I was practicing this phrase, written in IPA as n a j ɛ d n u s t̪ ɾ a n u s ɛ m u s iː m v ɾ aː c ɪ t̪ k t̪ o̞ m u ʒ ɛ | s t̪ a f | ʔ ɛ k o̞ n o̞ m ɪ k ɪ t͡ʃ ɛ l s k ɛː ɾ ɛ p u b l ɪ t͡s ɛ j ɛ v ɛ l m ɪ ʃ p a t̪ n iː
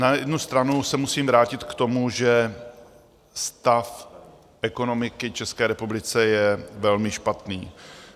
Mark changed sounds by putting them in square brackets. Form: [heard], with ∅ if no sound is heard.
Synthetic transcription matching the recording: n a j ɛ d n u s t̪ ɾ a n u s ɛ m u s iː m v ɾ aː c ɪ t̪ k t̪ o̞ m u ʒ ɛ | s t̪ a f | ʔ ɛ k o̞ n o̞ m ɪ k ɪ t͡ʃ ɛ [∅] s k ɛː ɾ ɛ p u b l ɪ t͡s ɛ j ɛ v ɛ l m ɪ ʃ p a t̪ n iː